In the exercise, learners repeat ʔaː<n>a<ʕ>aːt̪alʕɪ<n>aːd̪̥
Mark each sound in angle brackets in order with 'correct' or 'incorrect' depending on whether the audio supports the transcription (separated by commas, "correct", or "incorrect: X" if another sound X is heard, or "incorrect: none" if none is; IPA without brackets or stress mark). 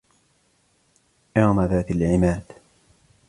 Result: incorrect: m, incorrect: ð, incorrect: m